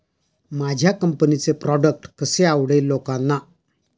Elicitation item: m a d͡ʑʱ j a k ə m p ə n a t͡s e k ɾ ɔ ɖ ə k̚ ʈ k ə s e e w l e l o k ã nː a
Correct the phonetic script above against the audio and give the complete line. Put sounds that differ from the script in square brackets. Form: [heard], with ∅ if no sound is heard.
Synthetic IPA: m a d͡ʑʱ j a k ə m p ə n [i] t͡s e [p] ɾ ɔ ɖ ə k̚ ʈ k ə s e [a] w [ɽ] e l o k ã nː a